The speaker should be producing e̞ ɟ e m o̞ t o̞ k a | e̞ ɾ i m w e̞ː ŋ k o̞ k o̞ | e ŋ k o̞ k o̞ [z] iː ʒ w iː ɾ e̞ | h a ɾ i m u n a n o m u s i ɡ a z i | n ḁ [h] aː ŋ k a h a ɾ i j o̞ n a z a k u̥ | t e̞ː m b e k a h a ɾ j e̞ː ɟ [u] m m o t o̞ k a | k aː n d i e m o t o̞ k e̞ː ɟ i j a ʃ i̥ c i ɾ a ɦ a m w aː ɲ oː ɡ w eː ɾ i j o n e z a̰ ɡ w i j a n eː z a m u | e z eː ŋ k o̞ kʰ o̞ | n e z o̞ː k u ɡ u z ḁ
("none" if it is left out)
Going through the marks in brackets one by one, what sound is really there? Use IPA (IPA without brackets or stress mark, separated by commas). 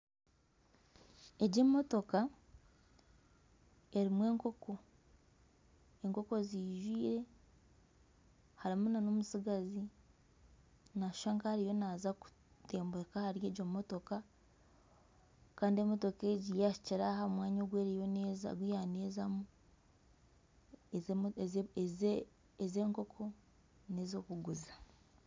z, ʃ, o